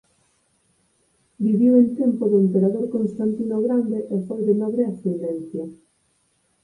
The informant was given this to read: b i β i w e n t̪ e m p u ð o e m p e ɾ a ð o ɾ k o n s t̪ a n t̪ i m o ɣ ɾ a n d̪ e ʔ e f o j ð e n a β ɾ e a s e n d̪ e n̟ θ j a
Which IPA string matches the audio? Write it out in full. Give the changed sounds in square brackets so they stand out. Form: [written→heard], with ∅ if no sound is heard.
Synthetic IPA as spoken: b i β i w e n t̪ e m p [u→o] ð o e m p e ɾ a ð o ɾ k o n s t̪ a n t̪ i [m→n] o ɣ ɾ a n d̪ e ʔ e f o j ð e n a β ɾ e a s e n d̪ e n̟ θ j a